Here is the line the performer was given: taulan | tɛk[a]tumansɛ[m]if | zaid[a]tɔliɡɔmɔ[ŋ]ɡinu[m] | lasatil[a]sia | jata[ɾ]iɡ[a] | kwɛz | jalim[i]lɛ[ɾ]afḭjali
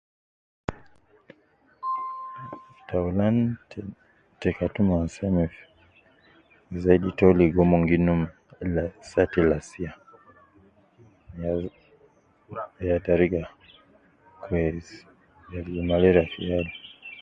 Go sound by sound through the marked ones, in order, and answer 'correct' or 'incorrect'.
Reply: correct, correct, incorrect: i, correct, correct, correct, correct, correct, incorrect: a, correct

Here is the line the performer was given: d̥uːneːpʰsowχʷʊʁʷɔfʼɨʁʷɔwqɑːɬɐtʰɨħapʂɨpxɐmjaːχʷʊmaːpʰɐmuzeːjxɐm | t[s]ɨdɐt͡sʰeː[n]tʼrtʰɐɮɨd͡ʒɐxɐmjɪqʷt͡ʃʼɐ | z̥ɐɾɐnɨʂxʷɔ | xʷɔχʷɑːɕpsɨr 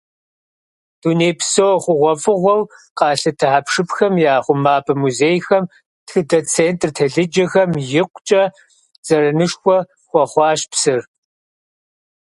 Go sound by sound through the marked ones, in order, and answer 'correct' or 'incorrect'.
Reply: incorrect: x, correct

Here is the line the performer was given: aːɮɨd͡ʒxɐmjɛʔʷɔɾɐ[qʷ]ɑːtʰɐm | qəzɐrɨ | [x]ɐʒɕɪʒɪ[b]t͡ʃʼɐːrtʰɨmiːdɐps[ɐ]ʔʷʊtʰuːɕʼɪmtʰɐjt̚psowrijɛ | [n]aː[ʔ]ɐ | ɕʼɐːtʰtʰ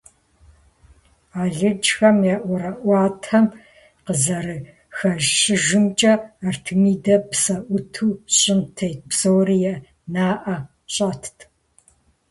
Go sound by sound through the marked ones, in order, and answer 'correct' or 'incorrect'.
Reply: incorrect: ʔʷ, correct, incorrect: m, correct, correct, correct

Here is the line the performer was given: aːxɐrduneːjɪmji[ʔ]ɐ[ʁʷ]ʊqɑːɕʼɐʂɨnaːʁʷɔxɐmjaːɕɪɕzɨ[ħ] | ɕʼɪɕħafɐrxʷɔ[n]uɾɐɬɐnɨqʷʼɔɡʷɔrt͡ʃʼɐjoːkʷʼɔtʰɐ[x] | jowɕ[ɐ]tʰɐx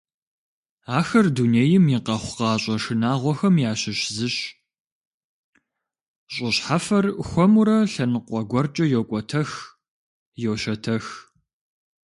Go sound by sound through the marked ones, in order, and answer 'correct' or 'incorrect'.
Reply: incorrect: q, incorrect: χʷ, incorrect: ɕ, incorrect: m, correct, correct

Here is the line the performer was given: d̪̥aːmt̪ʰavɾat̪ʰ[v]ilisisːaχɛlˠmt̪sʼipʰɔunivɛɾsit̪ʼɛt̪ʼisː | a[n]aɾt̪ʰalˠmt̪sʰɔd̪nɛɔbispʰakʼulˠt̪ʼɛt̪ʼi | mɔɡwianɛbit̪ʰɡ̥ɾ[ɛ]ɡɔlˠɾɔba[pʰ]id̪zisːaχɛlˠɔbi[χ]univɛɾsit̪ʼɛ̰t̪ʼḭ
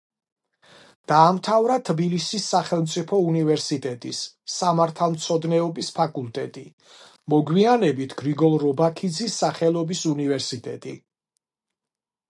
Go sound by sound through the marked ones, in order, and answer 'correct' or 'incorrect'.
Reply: incorrect: b, incorrect: m, incorrect: i, incorrect: kʰ, incorrect: s

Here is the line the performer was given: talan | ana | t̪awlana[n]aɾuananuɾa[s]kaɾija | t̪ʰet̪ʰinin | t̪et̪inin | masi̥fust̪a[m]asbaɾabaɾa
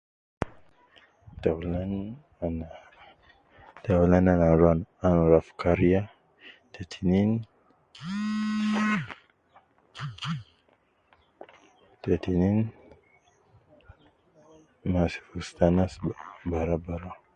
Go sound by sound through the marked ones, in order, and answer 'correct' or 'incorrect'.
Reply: correct, incorrect: f, incorrect: n

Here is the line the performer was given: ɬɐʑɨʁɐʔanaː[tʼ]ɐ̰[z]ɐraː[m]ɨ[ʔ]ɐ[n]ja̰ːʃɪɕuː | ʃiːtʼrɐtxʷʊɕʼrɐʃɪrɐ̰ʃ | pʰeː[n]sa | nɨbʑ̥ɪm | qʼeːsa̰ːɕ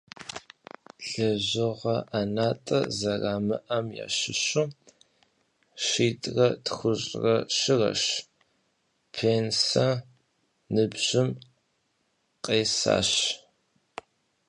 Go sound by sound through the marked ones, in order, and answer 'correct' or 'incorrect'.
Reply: correct, correct, correct, correct, incorrect: m, correct

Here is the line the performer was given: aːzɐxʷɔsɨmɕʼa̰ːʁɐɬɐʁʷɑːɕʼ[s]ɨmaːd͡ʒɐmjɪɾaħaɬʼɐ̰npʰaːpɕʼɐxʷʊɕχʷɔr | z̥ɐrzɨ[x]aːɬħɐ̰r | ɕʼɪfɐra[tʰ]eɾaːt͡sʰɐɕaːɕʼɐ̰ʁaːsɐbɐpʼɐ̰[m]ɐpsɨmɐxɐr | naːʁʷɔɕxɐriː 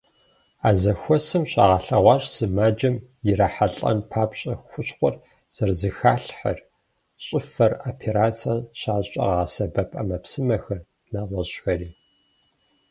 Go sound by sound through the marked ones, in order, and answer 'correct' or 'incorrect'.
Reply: correct, correct, incorrect: pʰ, correct

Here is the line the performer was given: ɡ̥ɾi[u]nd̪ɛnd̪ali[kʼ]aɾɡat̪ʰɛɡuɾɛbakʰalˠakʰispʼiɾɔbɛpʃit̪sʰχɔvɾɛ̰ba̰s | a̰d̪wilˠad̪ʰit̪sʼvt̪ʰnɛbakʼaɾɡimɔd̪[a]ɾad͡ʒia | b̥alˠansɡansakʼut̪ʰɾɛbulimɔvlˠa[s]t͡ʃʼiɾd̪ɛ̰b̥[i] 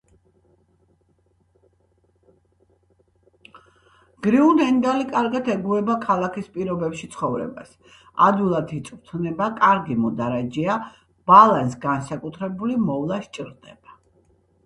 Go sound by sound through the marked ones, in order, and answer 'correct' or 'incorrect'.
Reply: correct, correct, correct, incorrect: ʃ, incorrect: a

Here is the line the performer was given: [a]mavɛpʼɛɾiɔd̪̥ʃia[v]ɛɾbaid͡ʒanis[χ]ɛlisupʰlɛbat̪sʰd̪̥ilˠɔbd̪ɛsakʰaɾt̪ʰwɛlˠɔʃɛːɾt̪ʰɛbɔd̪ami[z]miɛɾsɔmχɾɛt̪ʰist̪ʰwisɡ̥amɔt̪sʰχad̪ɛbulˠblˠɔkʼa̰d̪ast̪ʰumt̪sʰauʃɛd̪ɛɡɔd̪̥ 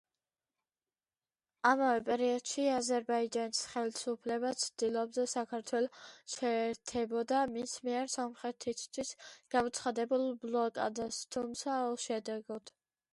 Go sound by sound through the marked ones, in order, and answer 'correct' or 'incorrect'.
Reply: correct, incorrect: z, correct, incorrect: s

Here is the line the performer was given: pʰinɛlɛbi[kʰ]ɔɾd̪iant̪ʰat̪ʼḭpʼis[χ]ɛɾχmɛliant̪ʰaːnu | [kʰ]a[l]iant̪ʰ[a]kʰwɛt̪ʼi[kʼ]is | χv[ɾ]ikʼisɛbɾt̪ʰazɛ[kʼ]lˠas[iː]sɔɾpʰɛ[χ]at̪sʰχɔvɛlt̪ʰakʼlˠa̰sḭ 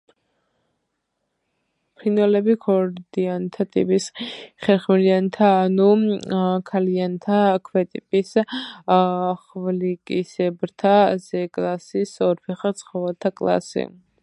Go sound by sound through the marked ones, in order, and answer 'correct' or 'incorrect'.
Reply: correct, correct, correct, correct, correct, incorrect: pʼ, incorrect: l, correct, incorrect: i, correct

